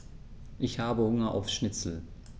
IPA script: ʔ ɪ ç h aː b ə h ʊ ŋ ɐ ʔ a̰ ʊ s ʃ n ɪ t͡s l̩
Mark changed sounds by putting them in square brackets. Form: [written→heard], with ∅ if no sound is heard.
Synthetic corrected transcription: ʔ ɪ ç h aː b ə h ʊ ŋ ɐ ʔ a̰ ʊ [s→f] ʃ n ɪ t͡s l̩